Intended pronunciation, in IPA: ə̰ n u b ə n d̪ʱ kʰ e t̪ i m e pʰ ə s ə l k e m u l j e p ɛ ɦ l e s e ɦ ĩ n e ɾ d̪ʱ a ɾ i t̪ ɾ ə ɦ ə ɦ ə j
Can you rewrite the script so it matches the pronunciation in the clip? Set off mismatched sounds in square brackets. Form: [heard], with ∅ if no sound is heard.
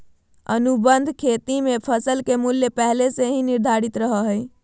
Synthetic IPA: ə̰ n u b ə n d̪ʱ kʰ e t̪ i m e pʰ ə s ə l k e m u l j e p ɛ ɦ l e s e ɦ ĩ n [i] ɾ d̪ʱ a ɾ i t̪ ɾ ə ɦ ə ɦ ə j